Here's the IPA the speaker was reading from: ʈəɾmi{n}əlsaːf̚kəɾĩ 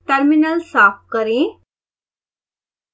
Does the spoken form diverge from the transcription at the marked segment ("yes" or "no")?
no